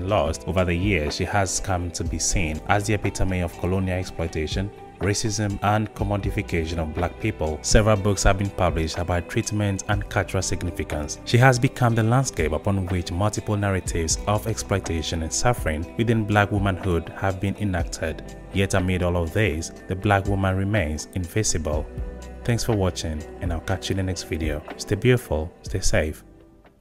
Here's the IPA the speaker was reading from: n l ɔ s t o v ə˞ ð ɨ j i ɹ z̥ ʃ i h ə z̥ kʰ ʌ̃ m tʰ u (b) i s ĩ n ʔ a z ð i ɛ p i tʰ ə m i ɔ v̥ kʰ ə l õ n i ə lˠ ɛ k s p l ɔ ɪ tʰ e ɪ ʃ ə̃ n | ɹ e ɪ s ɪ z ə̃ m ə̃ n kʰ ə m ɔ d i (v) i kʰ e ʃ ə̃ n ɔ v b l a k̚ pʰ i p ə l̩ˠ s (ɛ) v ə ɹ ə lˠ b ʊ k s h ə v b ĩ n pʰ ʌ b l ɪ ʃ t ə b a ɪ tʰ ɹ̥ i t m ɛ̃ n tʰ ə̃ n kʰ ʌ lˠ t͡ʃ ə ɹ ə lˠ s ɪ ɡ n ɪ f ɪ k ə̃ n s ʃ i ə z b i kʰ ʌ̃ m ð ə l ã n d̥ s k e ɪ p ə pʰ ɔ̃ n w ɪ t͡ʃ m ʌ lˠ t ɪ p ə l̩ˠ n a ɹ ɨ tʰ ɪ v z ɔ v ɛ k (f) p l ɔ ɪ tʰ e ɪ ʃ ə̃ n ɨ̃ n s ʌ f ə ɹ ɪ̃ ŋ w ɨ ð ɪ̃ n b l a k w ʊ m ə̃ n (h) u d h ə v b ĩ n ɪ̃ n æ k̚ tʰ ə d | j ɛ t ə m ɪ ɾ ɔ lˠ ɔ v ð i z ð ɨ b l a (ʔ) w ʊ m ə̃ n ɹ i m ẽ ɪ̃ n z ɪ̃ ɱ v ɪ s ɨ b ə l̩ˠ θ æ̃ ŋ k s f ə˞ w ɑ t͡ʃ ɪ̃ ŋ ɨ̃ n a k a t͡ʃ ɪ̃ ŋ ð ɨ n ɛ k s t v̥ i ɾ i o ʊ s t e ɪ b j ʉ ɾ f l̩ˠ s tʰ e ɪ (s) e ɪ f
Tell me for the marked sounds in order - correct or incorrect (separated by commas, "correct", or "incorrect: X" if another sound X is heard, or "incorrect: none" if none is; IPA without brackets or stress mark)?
correct, incorrect: f, correct, incorrect: s, correct, incorrect: k, correct